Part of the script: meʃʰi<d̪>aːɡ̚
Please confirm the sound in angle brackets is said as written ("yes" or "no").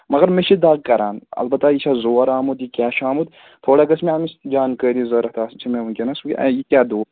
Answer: yes